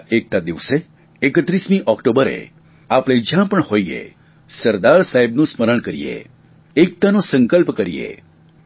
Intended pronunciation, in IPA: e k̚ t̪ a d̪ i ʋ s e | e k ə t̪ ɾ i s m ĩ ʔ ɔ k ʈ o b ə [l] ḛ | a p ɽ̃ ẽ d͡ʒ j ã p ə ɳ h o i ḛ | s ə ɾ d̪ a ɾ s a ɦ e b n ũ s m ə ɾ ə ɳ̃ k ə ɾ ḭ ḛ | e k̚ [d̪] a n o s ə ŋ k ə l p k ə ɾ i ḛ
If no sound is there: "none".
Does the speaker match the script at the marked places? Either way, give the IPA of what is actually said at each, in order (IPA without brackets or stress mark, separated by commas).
ɾ, t̪